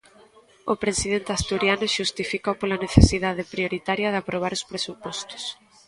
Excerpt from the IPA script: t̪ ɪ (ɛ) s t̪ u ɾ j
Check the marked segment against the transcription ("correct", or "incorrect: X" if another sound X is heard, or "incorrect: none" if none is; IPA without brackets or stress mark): incorrect: a